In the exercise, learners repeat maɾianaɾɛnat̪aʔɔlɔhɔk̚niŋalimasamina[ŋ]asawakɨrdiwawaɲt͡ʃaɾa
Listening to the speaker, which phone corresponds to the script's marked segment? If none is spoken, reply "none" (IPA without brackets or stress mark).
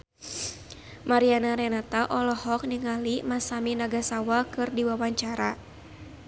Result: ɡ